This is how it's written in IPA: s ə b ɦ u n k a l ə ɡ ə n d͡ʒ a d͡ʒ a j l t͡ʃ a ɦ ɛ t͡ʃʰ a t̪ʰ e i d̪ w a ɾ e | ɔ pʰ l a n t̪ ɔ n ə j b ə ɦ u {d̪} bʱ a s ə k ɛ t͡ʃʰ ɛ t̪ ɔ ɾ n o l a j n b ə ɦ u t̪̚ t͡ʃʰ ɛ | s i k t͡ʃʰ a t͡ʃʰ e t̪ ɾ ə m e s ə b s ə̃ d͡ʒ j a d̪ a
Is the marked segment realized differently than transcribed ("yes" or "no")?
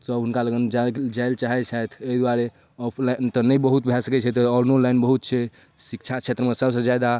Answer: yes